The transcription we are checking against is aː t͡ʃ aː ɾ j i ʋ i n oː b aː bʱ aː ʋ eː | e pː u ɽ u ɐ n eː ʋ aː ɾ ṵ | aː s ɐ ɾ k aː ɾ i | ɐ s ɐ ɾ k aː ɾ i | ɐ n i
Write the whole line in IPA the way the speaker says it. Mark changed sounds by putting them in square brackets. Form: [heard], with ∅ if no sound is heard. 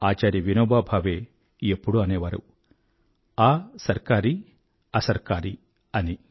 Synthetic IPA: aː t͡ʃ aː ɾ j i ʋ i n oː b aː bʱ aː ʋ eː | e pː u ɽ u ɐ n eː ʋ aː ɾ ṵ | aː s ɐ ɾ k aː ɾ i | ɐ s ɐ ɾ k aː ɾ i | ɐ n i